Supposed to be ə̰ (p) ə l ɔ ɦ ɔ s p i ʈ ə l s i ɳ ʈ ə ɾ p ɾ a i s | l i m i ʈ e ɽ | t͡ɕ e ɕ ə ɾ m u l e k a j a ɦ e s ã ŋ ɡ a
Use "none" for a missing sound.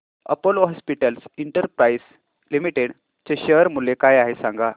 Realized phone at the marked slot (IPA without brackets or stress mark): p